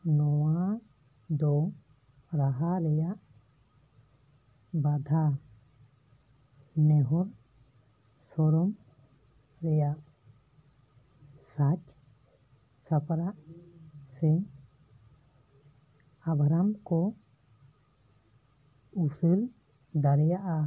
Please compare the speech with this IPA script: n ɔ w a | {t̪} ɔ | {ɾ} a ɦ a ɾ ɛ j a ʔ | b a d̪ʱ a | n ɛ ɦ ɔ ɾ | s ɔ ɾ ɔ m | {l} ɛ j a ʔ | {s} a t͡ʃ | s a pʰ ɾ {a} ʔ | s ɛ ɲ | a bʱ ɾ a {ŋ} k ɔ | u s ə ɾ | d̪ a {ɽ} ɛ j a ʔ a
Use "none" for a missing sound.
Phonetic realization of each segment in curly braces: d̪, ɾ, ɾ, s, a, m, ɾ

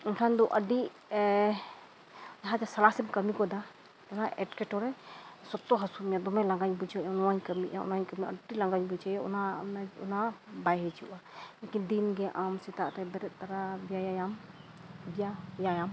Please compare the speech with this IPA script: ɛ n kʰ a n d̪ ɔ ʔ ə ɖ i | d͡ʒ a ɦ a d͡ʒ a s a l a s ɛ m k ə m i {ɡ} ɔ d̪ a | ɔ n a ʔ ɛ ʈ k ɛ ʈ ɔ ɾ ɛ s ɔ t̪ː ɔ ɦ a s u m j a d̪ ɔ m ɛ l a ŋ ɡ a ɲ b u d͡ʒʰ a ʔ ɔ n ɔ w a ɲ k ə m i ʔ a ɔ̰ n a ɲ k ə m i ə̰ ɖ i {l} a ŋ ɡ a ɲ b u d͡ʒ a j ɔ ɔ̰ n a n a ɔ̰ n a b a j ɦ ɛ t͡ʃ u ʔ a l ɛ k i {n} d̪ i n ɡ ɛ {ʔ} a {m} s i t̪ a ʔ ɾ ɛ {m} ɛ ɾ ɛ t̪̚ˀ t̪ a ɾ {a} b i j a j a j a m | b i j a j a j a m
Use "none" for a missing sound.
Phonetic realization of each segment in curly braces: k, l, n, ʔ, m, b, a

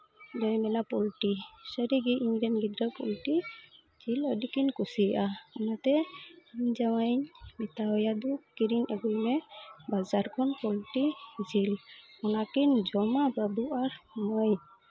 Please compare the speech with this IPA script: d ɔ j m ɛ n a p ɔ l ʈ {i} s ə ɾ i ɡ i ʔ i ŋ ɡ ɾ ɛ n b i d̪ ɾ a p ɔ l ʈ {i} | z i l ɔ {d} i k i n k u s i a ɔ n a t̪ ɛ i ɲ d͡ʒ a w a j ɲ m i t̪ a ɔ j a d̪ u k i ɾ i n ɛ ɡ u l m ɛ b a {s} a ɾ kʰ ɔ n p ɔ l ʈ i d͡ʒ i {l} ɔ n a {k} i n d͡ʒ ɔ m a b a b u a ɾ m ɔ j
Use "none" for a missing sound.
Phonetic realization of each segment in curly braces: i, i, d, z, l, k

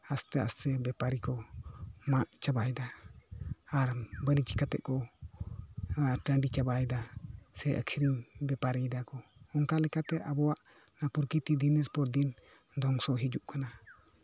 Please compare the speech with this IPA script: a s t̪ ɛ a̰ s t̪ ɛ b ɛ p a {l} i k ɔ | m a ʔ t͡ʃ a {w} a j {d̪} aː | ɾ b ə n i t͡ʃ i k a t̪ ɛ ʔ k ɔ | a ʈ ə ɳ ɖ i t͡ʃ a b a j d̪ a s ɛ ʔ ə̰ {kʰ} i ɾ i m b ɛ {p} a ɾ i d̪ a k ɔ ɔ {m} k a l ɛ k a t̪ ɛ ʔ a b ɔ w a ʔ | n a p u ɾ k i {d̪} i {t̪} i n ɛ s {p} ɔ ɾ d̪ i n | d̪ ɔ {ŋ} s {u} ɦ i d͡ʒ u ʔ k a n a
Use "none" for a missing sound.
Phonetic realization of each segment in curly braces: ɾ, b, d̪, kʰ, p, ŋ, t̪, d̪, p, ŋ, ɔ

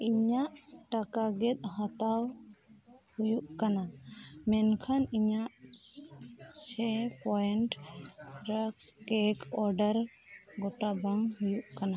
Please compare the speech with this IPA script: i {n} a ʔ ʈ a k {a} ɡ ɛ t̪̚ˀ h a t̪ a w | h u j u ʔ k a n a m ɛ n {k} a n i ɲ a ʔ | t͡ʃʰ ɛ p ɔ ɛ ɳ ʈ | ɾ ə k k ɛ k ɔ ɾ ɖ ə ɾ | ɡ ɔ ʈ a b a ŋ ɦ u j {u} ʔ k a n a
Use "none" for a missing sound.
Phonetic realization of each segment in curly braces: ɲ, a, kʰ, u

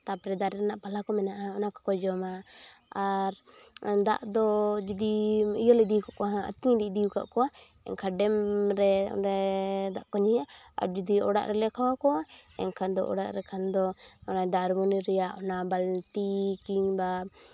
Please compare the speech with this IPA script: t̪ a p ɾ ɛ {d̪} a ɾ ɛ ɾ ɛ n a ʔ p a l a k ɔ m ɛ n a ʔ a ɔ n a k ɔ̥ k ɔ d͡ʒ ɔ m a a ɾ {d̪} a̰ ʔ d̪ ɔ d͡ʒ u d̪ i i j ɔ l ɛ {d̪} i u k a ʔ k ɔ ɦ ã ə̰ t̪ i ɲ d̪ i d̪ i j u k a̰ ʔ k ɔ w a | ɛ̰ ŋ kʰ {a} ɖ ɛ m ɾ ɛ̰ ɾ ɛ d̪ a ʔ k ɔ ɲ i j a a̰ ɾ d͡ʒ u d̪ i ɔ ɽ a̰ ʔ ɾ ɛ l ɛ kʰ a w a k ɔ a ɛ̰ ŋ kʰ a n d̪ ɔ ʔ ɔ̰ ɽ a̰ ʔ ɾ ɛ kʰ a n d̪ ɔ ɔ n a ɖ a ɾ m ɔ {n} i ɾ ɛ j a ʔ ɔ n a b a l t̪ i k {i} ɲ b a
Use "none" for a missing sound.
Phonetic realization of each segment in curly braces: d̪, d̪, d̪, a, n, i

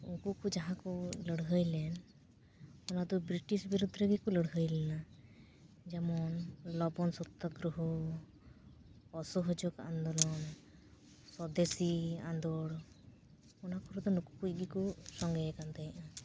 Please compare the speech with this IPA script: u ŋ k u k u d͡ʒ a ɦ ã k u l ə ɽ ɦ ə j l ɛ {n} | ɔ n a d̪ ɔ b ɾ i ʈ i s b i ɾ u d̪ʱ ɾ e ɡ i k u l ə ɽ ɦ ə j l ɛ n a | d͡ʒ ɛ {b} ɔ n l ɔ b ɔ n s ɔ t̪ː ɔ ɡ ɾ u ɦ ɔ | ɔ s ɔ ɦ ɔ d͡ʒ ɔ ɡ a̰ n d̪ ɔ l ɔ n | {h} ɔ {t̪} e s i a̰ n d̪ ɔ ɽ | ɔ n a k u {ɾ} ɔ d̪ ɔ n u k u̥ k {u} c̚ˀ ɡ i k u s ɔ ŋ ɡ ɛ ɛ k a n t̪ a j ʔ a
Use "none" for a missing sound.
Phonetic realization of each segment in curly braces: n, m, s, d̪, ɾ, u

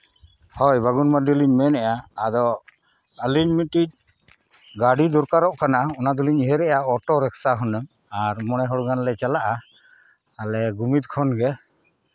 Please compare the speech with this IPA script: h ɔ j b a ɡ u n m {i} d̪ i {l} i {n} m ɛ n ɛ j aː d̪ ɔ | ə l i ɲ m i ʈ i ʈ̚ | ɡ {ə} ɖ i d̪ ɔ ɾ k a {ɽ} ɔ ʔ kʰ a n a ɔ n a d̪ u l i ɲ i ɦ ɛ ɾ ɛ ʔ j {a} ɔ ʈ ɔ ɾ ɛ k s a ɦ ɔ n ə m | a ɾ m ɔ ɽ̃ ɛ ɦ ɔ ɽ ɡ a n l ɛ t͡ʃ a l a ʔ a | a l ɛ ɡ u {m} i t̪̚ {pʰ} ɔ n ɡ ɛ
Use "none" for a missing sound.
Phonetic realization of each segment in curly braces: a, l, ɲ, a, ɾ, a, m, kʰ

